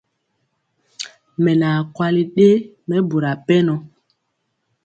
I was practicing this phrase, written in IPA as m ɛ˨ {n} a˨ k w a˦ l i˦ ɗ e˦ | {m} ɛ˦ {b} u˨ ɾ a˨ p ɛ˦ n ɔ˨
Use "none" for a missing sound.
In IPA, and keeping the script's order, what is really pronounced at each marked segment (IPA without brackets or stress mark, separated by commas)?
n, m, b